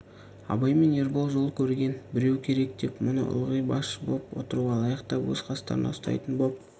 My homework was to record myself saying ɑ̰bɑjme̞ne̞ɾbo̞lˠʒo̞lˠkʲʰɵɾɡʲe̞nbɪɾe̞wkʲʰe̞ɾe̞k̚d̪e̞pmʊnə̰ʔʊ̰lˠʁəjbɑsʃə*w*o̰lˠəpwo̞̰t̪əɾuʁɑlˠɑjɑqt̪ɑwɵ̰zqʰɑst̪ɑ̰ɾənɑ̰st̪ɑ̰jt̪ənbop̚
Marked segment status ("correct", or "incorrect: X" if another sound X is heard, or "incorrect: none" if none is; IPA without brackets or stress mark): incorrect: b